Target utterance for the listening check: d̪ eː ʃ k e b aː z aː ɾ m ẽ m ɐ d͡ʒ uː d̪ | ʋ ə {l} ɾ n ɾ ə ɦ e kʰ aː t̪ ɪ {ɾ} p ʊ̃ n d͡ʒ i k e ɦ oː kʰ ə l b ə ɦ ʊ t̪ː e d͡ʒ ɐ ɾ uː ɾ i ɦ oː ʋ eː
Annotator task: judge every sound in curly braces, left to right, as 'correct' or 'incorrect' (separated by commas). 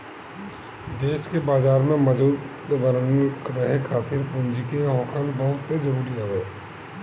incorrect, correct